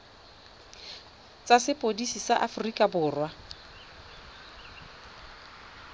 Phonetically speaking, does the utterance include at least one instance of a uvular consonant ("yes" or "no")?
no